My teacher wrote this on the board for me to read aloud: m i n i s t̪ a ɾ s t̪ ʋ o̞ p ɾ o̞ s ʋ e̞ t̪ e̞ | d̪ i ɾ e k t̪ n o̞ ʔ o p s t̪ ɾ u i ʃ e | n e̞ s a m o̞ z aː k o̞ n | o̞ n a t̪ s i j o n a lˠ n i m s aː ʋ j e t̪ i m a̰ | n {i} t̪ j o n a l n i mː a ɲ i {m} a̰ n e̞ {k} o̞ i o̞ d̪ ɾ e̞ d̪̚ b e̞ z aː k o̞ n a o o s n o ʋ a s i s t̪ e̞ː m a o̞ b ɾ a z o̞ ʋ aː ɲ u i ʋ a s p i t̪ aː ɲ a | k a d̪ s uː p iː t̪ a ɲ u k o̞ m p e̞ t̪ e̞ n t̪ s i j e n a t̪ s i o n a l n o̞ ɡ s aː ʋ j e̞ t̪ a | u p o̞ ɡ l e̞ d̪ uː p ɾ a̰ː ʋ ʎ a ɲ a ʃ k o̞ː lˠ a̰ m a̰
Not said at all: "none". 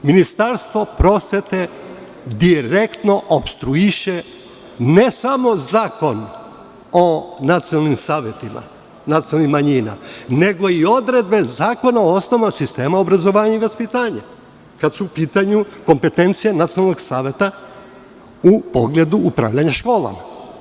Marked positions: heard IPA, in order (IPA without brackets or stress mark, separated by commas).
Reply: a, n, ɡ